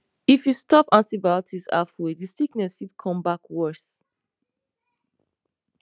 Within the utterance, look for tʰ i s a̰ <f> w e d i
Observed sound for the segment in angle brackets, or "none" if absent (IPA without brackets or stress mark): f